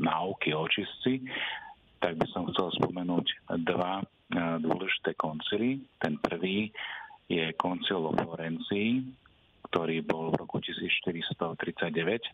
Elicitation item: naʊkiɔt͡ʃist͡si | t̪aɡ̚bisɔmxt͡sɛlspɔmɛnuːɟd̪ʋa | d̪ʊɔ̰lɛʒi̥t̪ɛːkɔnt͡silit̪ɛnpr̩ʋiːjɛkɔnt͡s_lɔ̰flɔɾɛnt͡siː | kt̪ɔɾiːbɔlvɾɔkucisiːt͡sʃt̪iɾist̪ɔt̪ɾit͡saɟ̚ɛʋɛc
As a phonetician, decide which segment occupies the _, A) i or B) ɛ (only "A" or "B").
A